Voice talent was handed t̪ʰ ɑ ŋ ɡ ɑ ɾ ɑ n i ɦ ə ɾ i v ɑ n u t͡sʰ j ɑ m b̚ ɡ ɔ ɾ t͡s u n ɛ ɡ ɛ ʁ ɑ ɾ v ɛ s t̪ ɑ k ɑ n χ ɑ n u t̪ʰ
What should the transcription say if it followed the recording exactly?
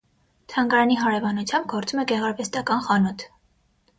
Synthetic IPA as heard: t̪ʰ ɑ ŋ ɡ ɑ ɾ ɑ n i ɦ ɑ ɾ ɛ v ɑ n u t͡sʰ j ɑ m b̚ ɡ ɔ ɾ t͡s u m ɛ ɡ ɛ ʁ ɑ ɾ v ɛ s t̪ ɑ k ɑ n χ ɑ n u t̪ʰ